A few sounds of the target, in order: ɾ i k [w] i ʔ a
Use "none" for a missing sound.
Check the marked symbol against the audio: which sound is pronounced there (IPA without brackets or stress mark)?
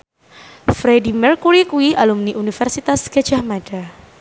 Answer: u